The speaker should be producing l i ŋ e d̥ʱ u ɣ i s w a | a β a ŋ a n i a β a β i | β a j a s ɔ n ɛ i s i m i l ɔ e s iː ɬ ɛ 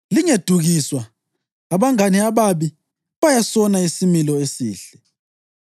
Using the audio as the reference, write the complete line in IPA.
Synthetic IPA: l i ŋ e d̥ʱ u ɣ i s w a | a β a ŋ a n i a β a β i | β a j a s ɔ n a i s i m i l ɔ e s iː ɬ ɛ

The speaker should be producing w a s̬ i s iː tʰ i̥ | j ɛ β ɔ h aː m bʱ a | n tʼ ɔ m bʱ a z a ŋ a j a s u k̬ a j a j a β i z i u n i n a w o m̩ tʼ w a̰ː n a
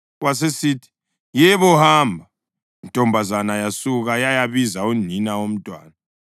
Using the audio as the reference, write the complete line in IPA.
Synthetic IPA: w a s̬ e s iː tʰ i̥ | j ɛ β ɔ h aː m bʱ a | n tʼ ɔ m bʱ a z a n a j a s u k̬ a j a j a β i z a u n i n a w o m̩ tʼ w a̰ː n a

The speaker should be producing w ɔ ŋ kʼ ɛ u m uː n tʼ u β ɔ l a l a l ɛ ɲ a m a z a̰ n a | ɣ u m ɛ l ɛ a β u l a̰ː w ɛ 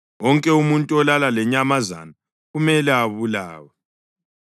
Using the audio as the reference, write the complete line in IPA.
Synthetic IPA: w ɔ ŋ kʼ ɛ u m u n tʼ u ɔ l a l a l ɛ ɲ a m a z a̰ n a | ɣ u m ɛ l ɛ a β u l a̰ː w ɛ

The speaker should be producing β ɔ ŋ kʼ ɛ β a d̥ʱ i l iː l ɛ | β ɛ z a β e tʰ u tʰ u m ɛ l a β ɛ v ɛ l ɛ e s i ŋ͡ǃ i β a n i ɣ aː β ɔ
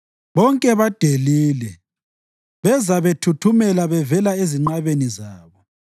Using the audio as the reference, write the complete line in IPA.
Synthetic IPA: β ɔ ŋ kʼ ɛ β a d̥ʱ e l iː l ɛ | β ɛ z a β e tʰ u tʰ u m ɛ l a β ɛ v ɛ l a e z i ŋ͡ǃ a β e n i z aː β ɔ

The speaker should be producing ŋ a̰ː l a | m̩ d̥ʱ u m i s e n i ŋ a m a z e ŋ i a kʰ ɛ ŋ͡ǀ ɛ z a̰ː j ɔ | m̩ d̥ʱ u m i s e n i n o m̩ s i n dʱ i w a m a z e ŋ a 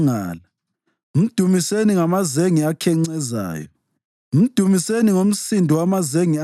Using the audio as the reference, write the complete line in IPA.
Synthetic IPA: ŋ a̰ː l a | m̩ d̥ʱ u m i s e n i ŋ a m a z e ŋ i a kʰ ɛ ŋ͡ǀ ɛ z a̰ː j ɔ | m̩ d̥ʱ u m i s e n i ŋ o m̩ s i n dʱ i w a m a z e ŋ i

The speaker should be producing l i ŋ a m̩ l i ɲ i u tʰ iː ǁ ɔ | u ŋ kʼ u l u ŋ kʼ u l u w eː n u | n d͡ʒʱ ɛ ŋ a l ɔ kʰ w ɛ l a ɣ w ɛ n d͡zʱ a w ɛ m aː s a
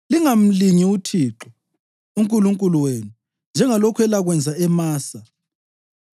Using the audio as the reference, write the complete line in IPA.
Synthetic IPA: l i ŋ a m̩ l i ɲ i u tʰ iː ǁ ɔ | u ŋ kʼ u l u ŋ kʼ u l u w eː n u | n d͡ʒʱ ɛ ŋ a l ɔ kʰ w ɛ l a ɣ w ɛ n d͡zʱ a ɛ m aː s a

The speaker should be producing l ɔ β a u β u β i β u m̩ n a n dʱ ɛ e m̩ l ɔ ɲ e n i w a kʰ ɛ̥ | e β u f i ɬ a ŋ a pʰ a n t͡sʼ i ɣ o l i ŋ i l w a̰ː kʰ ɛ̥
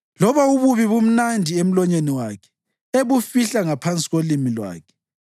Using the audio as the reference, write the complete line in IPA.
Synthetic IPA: l ɔ β a u β u β i β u m̩ n a n dʱ i e m̩ l ɔ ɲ e n i w a kʰ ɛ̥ | e β u f i ɬ a ŋ a pʰ a n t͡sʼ i ɣ o l i m i l w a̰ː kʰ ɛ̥

